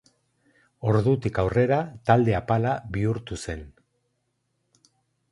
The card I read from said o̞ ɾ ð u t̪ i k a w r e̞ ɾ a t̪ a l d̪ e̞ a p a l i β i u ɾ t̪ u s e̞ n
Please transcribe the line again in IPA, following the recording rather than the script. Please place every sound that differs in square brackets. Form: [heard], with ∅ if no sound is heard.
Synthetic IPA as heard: o̞ ɾ ð u t̪ i k a w r e̞ ɾ a t̪ a l d̪ e̞ a p a l [a] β i u ɾ t̪ u s e̞ n